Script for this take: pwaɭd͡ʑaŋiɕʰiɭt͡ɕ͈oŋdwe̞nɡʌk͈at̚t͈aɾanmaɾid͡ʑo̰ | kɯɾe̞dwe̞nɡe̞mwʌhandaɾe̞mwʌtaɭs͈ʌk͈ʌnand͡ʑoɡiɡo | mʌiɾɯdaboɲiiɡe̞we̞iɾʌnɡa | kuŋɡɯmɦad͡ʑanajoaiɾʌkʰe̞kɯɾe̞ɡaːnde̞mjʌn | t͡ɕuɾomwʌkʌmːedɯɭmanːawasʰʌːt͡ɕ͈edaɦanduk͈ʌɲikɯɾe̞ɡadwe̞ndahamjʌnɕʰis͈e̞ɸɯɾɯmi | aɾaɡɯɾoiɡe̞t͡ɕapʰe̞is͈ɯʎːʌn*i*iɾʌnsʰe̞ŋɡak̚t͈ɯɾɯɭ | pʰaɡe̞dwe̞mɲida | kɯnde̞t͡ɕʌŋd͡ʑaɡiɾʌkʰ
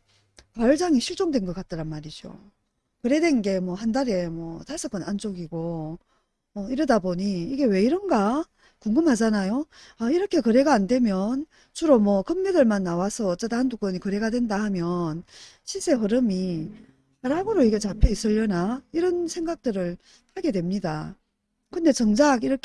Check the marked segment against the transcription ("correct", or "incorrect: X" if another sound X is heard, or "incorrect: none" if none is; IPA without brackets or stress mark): incorrect: a